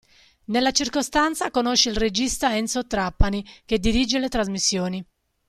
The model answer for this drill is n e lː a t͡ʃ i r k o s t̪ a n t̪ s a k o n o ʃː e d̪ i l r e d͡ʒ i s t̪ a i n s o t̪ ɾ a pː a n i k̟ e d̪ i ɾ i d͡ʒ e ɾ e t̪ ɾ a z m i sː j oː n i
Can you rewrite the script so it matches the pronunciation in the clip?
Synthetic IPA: n e lː a t͡ʃ i r k o s t̪ a n t̪ s a k o n o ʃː e i l r e d͡ʒ i s t̪ a ɛ n s o t̪ ɾ a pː a n i k̟ e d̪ i ɾ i d͡ʒ e l e t̪ ɾ a z m i sː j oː n i